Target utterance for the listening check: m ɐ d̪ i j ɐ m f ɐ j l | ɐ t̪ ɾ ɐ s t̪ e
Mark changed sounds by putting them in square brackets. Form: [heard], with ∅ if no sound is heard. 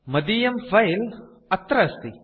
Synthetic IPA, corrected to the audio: m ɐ d̪ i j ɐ m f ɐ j l | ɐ t̪ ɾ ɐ s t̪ [i]